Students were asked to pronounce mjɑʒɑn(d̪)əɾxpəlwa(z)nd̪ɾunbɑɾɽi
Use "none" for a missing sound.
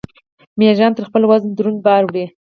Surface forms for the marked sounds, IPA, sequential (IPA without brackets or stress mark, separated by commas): t̪, z